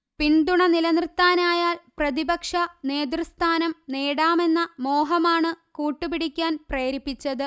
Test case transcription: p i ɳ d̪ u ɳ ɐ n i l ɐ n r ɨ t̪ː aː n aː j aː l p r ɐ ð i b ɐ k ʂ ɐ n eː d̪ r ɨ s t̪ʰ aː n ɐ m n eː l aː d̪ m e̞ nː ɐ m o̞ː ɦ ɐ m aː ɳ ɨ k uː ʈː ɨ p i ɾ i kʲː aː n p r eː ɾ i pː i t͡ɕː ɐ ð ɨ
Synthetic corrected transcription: p i ɳ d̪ u ɳ ɐ n i l ɐ n r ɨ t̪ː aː n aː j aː l p r ɐ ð i b ɐ k ʂ ɐ n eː d̪ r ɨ s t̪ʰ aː n ɐ m n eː ɽ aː m e̞ nː ɐ m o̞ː ɦ ɐ m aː ɳ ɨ k uː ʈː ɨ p i ɽ i kʲː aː n p r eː ɾ i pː i t͡ɕː ɐ ð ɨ

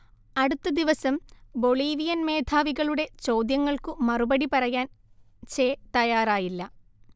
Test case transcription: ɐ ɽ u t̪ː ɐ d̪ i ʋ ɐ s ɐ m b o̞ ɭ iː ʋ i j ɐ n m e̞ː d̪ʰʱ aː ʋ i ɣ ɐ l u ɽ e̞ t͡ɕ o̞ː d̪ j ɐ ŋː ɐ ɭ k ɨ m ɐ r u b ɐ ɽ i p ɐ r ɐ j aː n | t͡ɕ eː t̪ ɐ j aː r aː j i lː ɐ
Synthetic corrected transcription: ɐ ɽ u t̪ː ɐ d̪ i ʋ ɐ s ɐ m b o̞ ɭ iː ʋ i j ɐ n m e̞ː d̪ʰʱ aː ʋ i ɣ ɐ ɭ u ɽ e̞ t͡ɕ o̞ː d̪ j ɐ ŋː ɐ ɭ k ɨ m ɐ r u b ɐ ɽ i p ɐ r ɐ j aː n | t͡ɕ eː t̪ ɐ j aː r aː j i lː ɐ

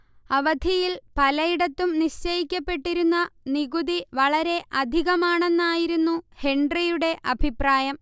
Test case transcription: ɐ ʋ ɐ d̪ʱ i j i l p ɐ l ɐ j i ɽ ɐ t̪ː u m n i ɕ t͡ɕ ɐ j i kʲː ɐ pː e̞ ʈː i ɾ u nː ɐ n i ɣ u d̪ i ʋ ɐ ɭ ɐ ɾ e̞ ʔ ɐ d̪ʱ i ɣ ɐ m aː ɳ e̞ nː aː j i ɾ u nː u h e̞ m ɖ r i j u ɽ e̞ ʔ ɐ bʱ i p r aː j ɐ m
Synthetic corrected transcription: ɐ ʋ ɐ d̪ʱ i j i l p ɐ l ɐ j i ɽ ɐ t̪ː u m n i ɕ t͡ɕ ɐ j i kʲː ɐ pː e̞ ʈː i ɾ u nː ɐ n i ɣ u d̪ i ʋ ɐ ɭ ɐ ɾ e̞ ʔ ɐ d̪ʱ i ɣ ɐ m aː ɳ e̞ nː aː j i ɾ u nː u h e̞ ɳ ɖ r i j u ɽ e̞ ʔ ɐ bʱ i p r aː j ɐ m

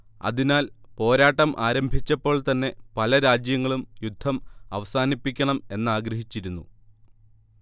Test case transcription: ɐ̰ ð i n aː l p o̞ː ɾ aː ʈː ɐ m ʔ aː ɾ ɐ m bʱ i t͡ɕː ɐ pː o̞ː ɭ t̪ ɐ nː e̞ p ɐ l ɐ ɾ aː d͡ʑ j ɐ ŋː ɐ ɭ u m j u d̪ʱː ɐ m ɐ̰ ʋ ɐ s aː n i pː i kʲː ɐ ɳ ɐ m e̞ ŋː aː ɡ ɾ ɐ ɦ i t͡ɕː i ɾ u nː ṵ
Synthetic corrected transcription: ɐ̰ ð i n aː l p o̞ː ɾ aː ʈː ɐ m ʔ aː ɾ ɐ m bʱ i t͡ɕː ɐ pː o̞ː ɭ t̪ ɐ nː e̞ p ɐ l ɐ ɾ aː d͡ʑ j ɐ ŋː ɐ ɭ u m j u d̪ʱː ɐ m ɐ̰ ʋ ɐ s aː n i pː i kʲː ɐ ɳ ɐ m e̞ nː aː ɡ ɾ ɐ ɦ i t͡ɕː i ɾ u nː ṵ

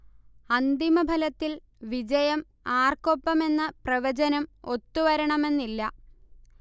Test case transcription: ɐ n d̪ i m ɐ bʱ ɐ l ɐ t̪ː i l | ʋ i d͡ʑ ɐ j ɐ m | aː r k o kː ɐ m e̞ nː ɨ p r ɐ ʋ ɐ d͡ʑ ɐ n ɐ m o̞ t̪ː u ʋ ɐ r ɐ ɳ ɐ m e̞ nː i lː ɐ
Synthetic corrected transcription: ɐ n d̪ i m ɐ bʱ ɐ l ɐ t̪ː i l | ʋ i d͡ʑ ɐ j ɐ m | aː r k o pː ɐ m e̞ nː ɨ p r ɐ ʋ ɐ d͡ʑ ɐ n ɐ m o̞ t̪ː u ʋ ɐ ɾ ɐ ɳ ɐ m e̞ nː i lː ɐ

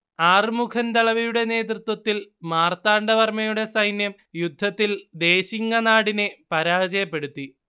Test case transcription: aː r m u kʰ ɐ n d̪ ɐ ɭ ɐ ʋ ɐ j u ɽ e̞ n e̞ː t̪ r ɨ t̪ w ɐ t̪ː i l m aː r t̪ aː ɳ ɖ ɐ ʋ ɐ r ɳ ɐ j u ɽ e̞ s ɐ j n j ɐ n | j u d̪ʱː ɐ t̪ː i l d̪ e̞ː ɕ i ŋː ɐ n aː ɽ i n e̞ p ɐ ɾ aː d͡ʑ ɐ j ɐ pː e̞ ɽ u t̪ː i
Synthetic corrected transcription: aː r m u kʰ ɐ n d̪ ɐ ɭ ɐ ʋ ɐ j u ɽ e̞ n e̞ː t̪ r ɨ t̪ w ɐ t̪ː i l m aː r t̪ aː ɳ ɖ ɐ ʋ ɐ r m ɐ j u ɽ e̞ s ɐ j n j ɐ m | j u d̪ʱː ɐ t̪ː i l d̪ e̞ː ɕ i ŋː ɐ n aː ɽ i n e̞ p ɐ ɾ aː d͡ʑ ɐ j ɐ pː e̞ ɽ u t̪ː i

